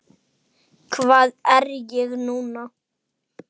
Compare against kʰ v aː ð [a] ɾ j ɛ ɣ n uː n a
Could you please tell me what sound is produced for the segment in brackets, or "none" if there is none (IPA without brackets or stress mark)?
ɛ